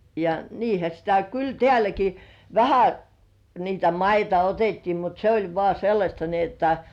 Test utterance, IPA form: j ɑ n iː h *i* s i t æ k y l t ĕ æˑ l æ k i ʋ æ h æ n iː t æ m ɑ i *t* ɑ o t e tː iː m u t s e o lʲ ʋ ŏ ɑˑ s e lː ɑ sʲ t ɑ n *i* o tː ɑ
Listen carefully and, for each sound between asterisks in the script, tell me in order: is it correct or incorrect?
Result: incorrect: æ, correct, correct

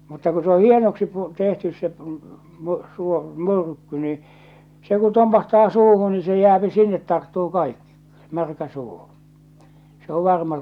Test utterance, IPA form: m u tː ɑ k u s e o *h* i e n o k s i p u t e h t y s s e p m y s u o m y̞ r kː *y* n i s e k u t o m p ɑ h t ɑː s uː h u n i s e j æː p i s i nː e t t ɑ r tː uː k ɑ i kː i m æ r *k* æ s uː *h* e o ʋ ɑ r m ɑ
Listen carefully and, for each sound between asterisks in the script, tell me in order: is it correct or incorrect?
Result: correct, correct, correct, incorrect: s

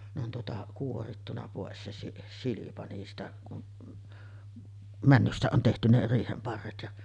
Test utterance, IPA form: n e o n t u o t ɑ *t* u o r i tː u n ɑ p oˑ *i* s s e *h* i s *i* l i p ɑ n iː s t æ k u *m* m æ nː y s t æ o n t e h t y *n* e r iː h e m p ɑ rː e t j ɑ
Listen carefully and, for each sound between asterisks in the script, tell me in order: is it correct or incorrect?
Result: incorrect: k, incorrect: e, incorrect: s, correct, incorrect: n, correct

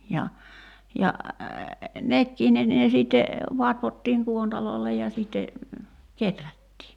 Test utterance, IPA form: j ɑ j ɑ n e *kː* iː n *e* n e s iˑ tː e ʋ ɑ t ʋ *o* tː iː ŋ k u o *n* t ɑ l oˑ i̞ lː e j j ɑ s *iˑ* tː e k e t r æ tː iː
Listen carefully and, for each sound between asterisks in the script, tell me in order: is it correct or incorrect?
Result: correct, correct, correct, correct, correct

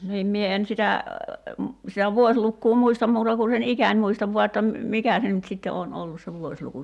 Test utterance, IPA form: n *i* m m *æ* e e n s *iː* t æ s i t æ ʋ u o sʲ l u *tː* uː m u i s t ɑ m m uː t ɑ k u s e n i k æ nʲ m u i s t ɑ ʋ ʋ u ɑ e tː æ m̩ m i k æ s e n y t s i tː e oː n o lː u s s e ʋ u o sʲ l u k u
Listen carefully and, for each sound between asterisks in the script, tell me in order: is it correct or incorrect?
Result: incorrect: iː, incorrect: i, incorrect: i, incorrect: kː

